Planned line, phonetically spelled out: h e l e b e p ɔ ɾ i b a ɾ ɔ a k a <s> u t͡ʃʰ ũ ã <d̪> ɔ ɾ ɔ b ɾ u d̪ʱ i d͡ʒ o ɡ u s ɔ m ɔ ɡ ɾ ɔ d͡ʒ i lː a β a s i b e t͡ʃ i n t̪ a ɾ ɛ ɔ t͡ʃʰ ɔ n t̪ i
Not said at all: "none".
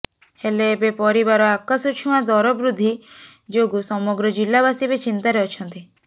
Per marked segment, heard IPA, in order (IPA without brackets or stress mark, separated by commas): s, d̪